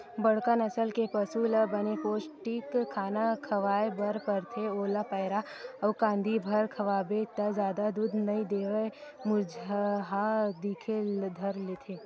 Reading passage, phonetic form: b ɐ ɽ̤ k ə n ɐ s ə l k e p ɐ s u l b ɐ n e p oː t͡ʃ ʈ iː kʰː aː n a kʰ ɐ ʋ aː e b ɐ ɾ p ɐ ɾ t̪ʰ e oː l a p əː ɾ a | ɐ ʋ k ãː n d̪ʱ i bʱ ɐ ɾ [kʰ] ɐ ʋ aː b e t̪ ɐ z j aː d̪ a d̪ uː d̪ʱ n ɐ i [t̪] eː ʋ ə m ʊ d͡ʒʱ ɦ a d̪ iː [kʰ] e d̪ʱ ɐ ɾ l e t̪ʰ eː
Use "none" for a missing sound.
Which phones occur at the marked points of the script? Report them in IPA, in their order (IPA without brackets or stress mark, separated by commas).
kʰ, d̪, kʰ